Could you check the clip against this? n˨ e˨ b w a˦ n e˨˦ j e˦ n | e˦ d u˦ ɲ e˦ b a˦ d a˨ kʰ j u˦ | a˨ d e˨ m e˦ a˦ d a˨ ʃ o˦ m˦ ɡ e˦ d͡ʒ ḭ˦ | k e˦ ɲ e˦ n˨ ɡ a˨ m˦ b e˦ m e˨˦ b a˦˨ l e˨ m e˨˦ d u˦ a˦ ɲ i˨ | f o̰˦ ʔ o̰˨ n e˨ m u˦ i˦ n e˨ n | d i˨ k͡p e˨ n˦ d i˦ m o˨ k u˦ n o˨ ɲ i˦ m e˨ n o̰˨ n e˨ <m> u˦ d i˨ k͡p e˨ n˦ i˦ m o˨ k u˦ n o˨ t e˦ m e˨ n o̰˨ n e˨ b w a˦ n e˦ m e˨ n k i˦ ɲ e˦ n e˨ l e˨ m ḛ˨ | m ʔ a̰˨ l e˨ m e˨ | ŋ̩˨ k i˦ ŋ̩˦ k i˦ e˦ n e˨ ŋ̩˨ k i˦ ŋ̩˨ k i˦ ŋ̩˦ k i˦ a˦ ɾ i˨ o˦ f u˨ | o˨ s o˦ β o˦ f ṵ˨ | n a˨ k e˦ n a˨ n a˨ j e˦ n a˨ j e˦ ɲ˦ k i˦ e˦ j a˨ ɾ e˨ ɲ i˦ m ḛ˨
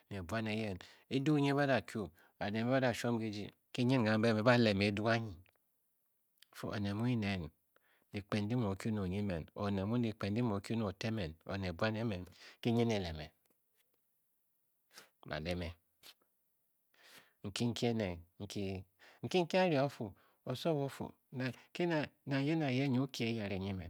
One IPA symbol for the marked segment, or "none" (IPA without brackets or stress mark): m